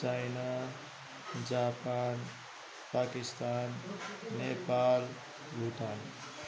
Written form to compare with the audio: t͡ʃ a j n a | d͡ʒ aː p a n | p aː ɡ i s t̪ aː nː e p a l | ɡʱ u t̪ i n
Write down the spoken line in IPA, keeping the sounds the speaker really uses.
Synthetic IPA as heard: t͡ʃ a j n a | d͡ʒ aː p a n | p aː k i s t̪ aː nː e p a l | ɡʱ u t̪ a n